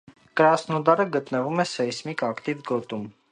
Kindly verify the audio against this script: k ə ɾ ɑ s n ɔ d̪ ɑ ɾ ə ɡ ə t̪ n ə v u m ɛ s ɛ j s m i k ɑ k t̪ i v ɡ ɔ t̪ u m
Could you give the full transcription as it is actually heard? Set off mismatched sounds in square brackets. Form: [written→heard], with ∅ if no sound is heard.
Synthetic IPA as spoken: k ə ɾ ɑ s n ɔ d̪ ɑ ɾ ə ɡ ə t̪ n ə v u m ɛ s ɛ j s m i k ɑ k t̪ i v ɡ ɔ t̪ u m